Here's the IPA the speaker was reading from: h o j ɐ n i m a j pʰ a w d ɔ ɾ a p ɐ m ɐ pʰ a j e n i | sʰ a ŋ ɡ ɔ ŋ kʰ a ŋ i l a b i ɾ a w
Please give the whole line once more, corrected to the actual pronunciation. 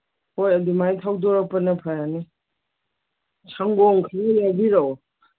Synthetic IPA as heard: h o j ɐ d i m a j tʰ a w d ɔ ɾ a p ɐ n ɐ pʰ a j a n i | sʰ a ŋ ɡ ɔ ŋ kʰ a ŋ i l a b i ɾ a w